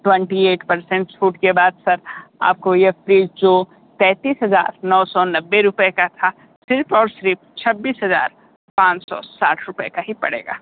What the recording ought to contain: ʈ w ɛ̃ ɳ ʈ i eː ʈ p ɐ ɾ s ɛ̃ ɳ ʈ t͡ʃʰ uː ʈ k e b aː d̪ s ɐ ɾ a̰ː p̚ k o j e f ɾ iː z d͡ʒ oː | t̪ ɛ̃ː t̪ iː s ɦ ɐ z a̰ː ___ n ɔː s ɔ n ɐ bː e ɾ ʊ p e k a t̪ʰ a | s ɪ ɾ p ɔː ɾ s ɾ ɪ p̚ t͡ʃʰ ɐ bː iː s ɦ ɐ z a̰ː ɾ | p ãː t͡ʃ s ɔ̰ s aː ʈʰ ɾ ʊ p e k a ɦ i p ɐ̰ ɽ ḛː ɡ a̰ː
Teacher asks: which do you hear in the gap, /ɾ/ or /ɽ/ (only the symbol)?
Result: ɾ